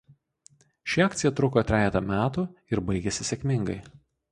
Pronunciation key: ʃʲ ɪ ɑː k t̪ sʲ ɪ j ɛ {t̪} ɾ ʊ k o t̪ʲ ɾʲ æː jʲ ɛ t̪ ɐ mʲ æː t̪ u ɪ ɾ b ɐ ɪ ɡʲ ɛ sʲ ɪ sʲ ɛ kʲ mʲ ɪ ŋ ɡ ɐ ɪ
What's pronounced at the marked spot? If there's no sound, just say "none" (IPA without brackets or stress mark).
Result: t̪